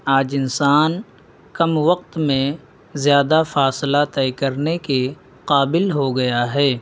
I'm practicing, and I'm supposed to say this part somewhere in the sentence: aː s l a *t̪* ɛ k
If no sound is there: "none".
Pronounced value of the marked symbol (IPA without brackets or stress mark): t̪